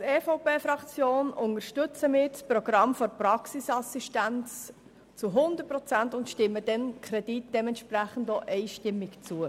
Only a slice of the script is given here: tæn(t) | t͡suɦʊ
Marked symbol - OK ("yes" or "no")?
no